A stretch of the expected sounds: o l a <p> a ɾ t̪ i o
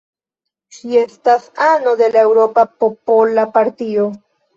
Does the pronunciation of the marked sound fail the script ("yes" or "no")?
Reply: no